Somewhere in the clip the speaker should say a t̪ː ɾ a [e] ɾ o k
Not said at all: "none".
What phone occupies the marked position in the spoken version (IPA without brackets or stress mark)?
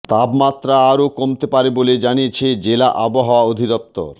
a